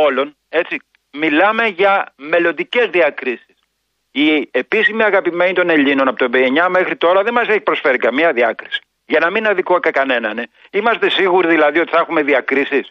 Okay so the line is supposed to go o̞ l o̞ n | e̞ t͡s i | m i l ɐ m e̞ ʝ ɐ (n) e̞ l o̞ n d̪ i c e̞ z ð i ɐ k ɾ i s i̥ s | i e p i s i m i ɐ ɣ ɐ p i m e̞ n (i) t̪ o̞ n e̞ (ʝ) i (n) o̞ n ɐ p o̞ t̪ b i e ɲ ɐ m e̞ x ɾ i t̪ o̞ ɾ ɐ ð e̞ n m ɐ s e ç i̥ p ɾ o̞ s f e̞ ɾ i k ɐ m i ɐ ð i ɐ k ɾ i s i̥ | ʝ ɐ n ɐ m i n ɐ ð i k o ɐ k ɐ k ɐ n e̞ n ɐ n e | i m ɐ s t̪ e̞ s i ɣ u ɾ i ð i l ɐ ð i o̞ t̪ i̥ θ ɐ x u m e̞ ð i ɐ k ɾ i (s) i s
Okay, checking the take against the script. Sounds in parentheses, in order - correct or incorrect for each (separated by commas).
incorrect, correct, incorrect, correct, correct